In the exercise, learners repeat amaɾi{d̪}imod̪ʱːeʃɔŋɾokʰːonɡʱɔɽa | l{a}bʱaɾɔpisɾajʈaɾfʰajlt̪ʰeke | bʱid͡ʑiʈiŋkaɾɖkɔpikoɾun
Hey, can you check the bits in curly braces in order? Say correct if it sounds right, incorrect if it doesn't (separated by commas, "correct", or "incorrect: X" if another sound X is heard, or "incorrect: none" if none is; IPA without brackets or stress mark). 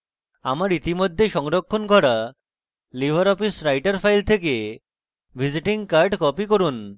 incorrect: t̪, incorrect: i